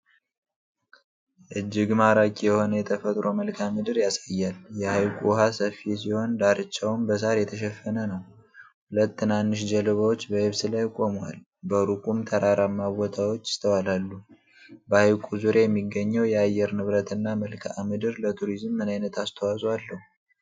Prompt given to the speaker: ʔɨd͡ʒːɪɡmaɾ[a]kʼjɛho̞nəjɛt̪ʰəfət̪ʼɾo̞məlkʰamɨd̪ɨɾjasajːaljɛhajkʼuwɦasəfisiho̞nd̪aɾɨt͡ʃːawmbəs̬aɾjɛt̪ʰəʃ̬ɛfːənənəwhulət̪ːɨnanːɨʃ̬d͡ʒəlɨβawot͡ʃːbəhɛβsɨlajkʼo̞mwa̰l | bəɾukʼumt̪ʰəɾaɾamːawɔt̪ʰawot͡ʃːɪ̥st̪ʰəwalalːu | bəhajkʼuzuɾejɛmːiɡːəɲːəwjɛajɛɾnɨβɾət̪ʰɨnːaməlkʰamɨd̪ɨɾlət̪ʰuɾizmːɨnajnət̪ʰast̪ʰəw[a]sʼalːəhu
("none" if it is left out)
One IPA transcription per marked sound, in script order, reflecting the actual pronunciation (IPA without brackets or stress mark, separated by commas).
a, a